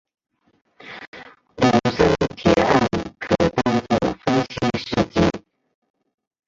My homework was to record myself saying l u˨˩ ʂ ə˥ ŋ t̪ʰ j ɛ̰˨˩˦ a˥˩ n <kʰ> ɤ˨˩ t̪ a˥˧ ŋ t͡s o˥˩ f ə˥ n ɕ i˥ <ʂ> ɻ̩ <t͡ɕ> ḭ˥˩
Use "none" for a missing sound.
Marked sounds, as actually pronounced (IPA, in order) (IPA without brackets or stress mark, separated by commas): kʰ, ʂ, t͡ɕ